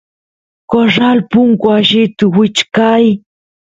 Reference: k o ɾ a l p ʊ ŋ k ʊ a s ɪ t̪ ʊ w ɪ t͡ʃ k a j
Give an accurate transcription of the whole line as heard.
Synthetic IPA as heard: k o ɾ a l p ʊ ŋ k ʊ a ʃ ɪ t̪ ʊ w ɪ t͡ʃ k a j